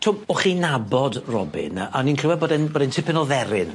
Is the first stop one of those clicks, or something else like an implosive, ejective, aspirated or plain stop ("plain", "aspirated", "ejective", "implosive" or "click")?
aspirated